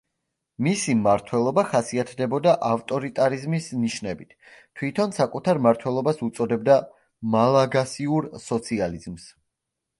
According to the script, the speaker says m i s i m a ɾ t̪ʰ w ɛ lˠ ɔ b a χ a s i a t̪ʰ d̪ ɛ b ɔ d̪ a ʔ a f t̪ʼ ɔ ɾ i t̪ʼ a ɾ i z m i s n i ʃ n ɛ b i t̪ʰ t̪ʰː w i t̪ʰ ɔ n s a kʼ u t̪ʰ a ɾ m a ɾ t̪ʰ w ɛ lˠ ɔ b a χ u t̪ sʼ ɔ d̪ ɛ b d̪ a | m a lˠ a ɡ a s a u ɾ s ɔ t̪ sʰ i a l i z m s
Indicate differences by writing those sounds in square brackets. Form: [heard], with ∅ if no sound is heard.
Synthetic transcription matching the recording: m i s i m a ɾ t̪ʰ w ɛ lˠ ɔ b a χ a s i a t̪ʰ d̪ ɛ b ɔ d̪ a ʔ a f t̪ʼ ɔ ɾ i t̪ʼ a ɾ i z m i s n i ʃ n ɛ b i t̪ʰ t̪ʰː w i t̪ʰ ɔ n s a kʼ u t̪ʰ a ɾ m a ɾ t̪ʰ w ɛ lˠ ɔ b a [s] u t̪ sʼ ɔ d̪ ɛ b d̪ a | m a lˠ a ɡ a s [i] u ɾ s ɔ t̪ sʰ i a l i z m s